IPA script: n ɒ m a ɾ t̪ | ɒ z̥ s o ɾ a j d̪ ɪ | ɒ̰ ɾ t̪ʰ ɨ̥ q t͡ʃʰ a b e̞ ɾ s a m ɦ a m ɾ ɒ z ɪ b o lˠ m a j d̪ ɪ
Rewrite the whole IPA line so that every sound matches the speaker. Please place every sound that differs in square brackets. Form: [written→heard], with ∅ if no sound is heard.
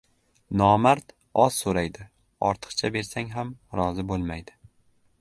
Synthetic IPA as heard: n ɒ m a ɾ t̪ | ɒ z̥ s o ɾ a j d̪ ɪ | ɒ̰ ɾ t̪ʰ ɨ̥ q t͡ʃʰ a b e̞ ɾ s a [m→ŋ] ɦ a m ɾ ɒ z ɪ b o lˠ m a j d̪ ɪ